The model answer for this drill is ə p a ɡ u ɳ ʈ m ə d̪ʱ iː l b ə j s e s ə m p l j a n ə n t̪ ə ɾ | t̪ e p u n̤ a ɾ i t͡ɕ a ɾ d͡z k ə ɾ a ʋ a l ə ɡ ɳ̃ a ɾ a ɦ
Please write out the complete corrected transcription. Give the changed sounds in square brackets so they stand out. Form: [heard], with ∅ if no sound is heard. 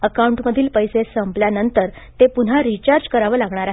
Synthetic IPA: ə [k] a [∅] u ɳ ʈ m ə d̪ʱ iː l [p] ə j s e s ə m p l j a n ə n t̪ ə ɾ | t̪ e p u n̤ a ɾ i t͡ɕ a ɾ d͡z k ə ɾ a ʋ [ə] l [a] ɡ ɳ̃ a ɾ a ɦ